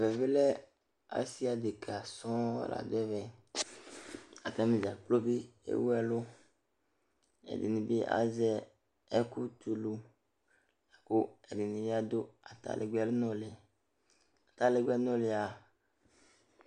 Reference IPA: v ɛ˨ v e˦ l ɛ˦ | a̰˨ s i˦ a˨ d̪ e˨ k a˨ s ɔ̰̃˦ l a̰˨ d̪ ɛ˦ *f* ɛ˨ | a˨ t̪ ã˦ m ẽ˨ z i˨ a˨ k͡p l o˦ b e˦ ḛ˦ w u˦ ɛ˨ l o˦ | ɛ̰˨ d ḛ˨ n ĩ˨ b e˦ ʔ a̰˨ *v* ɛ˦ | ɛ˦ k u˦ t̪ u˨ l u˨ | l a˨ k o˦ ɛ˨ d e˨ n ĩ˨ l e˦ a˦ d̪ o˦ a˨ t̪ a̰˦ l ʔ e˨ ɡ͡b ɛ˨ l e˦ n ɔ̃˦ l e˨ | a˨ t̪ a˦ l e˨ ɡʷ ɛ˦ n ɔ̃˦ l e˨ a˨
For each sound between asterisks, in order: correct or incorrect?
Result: incorrect, incorrect

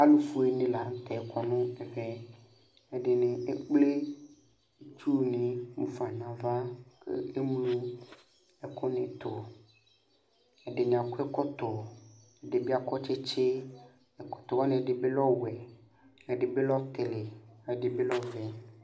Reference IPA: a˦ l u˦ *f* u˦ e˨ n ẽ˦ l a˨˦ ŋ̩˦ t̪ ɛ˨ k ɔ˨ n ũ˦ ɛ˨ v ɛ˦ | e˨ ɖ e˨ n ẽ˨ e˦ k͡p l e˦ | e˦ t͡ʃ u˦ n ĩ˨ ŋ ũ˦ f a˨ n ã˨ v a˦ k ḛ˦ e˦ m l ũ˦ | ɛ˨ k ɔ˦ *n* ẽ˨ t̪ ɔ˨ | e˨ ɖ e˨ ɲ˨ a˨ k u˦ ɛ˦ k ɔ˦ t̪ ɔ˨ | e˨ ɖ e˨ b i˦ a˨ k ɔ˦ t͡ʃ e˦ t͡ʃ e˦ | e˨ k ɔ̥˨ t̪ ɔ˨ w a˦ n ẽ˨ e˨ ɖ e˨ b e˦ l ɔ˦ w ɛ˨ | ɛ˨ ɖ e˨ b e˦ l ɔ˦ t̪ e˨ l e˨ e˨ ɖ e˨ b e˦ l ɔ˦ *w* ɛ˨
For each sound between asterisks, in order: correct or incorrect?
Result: correct, correct, incorrect

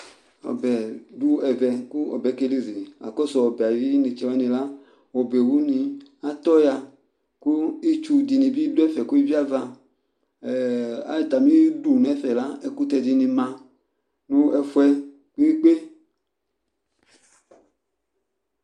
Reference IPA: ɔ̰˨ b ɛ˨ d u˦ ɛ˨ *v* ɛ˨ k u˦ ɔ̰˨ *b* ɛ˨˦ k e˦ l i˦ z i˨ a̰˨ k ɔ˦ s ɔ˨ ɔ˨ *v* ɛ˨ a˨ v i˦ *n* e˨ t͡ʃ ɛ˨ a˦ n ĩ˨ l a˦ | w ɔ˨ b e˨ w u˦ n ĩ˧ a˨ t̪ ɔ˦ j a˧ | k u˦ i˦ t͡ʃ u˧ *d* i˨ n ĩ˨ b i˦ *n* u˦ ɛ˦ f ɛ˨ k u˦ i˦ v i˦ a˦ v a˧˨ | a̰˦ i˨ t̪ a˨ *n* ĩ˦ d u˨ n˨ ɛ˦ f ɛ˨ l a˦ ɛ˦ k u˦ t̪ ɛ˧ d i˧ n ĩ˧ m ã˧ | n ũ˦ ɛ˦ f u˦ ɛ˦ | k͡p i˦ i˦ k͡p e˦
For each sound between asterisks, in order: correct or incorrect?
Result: correct, correct, incorrect, correct, correct, incorrect, incorrect

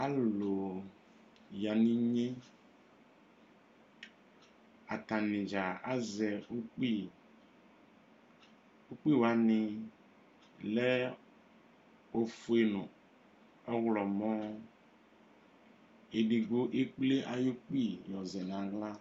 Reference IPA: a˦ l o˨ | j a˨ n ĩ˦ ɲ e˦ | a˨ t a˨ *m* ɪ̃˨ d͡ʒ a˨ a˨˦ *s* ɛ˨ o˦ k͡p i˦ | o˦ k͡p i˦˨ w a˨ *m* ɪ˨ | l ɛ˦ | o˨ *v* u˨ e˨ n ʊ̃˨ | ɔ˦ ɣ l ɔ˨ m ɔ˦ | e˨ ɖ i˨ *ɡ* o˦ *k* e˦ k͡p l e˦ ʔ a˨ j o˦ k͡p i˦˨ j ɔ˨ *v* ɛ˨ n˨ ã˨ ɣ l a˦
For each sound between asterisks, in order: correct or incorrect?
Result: incorrect, incorrect, incorrect, incorrect, correct, incorrect, incorrect

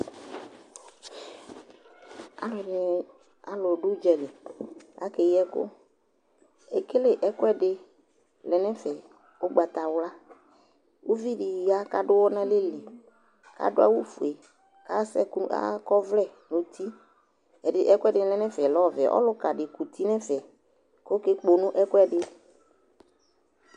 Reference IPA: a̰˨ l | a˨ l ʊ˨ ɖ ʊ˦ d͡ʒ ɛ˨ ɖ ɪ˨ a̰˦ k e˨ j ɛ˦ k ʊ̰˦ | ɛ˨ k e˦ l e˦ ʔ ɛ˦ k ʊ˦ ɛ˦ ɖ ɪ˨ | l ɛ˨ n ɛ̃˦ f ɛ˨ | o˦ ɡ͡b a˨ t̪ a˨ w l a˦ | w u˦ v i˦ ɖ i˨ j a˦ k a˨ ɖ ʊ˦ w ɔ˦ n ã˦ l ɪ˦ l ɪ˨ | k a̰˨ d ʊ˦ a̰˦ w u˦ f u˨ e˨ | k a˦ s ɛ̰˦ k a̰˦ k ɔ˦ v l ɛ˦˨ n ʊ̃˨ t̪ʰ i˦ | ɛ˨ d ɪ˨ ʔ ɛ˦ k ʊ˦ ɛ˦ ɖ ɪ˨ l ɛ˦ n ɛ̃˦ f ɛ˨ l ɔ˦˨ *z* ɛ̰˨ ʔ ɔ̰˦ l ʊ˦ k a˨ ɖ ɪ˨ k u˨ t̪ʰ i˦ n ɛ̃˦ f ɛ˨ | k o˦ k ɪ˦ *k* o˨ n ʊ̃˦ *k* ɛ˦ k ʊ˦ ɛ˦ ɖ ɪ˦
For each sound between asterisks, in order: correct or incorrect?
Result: incorrect, incorrect, incorrect

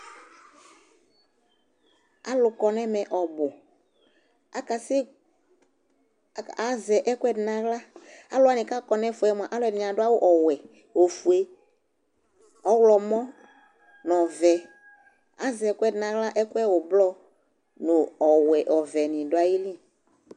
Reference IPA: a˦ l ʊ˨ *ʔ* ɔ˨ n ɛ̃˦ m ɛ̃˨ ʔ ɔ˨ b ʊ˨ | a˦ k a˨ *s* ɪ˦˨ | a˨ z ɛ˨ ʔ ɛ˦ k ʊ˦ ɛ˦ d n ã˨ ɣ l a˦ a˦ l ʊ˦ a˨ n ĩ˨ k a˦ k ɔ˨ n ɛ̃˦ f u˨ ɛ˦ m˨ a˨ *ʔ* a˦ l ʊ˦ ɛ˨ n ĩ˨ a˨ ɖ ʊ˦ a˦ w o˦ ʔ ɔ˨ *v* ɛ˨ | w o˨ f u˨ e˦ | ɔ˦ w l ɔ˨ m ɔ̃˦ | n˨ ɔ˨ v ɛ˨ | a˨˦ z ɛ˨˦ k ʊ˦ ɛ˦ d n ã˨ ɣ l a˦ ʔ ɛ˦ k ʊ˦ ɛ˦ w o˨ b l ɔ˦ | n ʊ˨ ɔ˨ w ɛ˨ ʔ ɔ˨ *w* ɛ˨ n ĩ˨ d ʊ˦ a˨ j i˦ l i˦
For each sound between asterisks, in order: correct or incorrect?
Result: incorrect, correct, correct, incorrect, incorrect

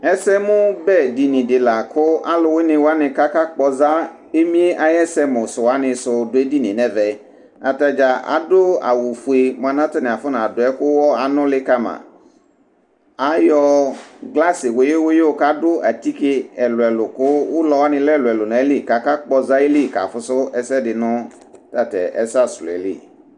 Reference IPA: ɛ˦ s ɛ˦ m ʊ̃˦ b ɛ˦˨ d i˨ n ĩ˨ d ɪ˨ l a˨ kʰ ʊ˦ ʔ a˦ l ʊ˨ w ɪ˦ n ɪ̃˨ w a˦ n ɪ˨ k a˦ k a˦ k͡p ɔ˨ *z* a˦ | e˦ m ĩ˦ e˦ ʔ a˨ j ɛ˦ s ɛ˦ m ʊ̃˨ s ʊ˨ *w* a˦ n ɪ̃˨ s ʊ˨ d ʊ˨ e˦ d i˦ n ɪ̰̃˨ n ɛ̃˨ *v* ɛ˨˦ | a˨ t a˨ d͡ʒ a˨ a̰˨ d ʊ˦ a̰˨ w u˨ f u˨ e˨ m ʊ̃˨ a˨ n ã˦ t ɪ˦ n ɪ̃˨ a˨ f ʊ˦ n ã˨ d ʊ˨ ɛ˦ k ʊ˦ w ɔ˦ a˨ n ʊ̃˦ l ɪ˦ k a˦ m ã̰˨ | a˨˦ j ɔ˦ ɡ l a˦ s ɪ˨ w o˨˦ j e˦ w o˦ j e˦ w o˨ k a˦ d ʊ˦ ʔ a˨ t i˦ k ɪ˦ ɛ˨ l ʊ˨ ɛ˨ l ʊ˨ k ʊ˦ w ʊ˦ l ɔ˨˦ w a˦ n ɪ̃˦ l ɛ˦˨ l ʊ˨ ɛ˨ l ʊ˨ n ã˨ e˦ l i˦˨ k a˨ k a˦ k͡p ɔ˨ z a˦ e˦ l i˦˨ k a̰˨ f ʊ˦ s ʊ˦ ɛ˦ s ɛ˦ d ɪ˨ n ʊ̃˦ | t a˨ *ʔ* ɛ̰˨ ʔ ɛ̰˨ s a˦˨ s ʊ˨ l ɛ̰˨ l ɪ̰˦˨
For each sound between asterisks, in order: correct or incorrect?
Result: correct, correct, correct, incorrect

